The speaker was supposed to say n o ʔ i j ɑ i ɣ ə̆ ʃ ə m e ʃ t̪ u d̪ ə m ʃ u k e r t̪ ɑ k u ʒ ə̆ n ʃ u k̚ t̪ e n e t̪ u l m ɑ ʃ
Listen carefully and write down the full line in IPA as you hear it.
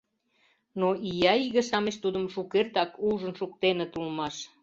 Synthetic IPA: n o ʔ i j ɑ i ɣ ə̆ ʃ ɑ m e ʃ t̪ u d̪ ə m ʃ u k e r t̪ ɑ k u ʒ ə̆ n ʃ u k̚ t̪ e n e t̪ u l m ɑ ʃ